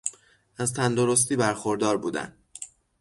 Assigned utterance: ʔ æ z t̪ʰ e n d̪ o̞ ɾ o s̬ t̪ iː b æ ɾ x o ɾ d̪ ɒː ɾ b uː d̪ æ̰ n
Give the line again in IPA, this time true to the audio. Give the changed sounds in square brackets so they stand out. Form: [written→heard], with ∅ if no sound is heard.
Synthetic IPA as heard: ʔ æ z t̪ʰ [e→æ] n d̪ o̞ ɾ o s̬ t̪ iː b æ ɾ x o ɾ d̪ ɒː ɾ b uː d̪ æ̰ n

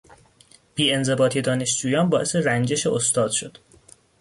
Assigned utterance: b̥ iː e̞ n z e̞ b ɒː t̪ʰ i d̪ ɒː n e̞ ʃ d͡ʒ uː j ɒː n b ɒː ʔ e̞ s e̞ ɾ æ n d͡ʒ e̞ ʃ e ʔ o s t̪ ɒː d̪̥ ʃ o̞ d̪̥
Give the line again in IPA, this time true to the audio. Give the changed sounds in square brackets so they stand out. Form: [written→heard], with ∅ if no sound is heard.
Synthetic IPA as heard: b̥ iː e̞ n z e̞ b ɒː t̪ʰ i d̪ ɒː n e̞ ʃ d͡ʒ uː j ɒː n b ɒː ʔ e̞ s e̞ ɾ æ n d͡ʒ e̞ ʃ e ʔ o s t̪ ɒː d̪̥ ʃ o̞ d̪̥

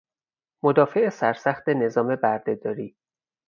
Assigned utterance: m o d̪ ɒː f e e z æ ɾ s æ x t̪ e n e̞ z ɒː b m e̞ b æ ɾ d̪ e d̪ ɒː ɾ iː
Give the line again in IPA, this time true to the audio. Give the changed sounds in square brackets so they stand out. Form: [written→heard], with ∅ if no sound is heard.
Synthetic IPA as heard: m o d̪ ɒː f e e [z→s] æ ɾ s æ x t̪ e n e̞ z ɒː [b→∅] m e̞ b æ ɾ d̪ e d̪ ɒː ɾ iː

